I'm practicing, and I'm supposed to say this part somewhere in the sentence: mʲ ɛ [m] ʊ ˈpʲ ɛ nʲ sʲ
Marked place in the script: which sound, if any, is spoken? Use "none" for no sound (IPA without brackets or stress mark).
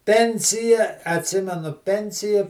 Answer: n